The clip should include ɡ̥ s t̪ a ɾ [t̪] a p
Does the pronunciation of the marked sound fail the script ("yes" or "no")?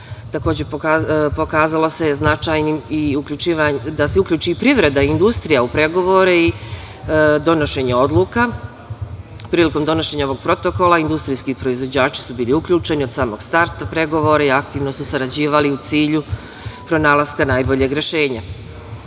no